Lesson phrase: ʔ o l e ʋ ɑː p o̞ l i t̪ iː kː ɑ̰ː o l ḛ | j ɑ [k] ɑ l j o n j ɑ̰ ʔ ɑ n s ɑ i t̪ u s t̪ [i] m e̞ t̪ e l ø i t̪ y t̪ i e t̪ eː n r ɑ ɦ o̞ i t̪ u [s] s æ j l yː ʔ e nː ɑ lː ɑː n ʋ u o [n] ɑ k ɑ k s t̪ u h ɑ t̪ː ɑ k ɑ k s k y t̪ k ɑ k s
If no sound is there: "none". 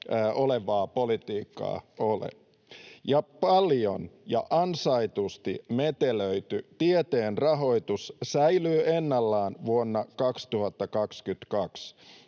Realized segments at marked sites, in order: p, i, s, nː

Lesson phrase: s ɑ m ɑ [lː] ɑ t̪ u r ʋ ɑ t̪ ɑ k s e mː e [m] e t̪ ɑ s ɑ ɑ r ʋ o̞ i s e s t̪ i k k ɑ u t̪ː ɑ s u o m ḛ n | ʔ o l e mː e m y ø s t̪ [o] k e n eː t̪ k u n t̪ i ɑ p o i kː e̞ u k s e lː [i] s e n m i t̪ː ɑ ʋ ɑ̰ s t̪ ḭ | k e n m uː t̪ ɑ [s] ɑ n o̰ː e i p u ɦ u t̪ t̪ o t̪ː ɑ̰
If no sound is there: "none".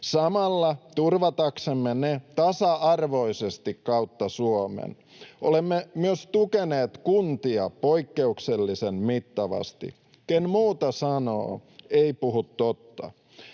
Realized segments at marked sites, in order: lː, n, u, i, s

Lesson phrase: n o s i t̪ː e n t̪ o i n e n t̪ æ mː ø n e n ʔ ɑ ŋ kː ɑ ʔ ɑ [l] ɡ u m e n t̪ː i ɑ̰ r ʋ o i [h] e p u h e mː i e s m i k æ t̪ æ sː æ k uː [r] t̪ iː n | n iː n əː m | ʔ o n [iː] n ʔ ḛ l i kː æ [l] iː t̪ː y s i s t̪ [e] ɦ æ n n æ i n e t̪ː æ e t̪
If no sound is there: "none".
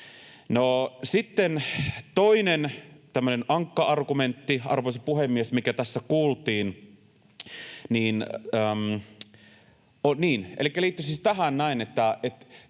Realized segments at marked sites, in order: r, s, l, iː, l, æ

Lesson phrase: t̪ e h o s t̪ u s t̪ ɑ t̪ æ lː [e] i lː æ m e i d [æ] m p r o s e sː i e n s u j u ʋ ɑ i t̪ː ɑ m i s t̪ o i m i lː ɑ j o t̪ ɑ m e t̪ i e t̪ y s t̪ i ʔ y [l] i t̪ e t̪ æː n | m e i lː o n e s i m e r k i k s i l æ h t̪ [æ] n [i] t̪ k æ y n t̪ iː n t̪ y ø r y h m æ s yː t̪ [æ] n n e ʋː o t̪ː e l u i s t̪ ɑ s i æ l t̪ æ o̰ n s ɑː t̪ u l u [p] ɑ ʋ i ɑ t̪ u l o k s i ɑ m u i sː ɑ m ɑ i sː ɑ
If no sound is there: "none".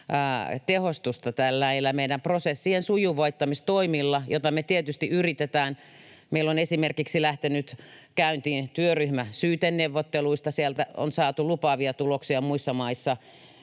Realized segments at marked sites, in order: æ, æ, r, e, y, e, p

